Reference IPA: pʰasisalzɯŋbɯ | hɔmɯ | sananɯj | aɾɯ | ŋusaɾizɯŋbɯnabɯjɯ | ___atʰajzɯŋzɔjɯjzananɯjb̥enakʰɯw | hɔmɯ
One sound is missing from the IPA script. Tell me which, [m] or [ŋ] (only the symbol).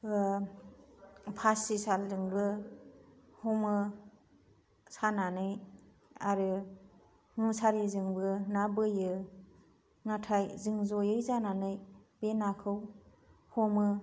ŋ